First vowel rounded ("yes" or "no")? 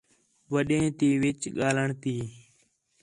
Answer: no